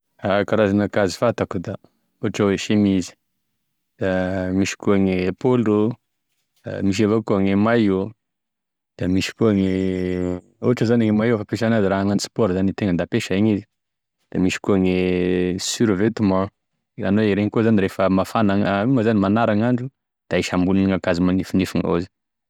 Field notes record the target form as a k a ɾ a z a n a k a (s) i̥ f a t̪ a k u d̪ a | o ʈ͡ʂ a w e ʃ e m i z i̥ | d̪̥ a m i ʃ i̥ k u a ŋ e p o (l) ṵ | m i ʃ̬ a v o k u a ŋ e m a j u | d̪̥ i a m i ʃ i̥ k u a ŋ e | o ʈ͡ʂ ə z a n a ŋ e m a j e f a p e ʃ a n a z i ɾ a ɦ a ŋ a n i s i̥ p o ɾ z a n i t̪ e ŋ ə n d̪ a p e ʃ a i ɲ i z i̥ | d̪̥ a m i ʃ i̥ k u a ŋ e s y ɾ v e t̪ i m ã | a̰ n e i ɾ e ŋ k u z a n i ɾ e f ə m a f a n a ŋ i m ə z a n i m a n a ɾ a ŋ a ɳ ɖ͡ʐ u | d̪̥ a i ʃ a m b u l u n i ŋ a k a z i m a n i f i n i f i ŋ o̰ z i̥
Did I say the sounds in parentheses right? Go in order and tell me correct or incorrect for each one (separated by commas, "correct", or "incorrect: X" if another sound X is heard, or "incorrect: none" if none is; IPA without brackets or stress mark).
incorrect: z, correct